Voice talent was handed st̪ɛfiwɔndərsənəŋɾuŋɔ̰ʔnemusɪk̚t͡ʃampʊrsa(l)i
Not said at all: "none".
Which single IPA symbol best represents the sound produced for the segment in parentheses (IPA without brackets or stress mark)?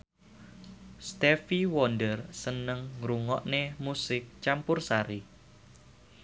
ɾ